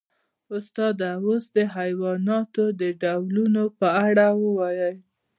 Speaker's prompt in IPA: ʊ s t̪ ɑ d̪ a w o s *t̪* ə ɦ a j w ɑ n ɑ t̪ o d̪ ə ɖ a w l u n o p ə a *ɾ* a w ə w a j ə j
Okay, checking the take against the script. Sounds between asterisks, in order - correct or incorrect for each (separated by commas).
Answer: incorrect, incorrect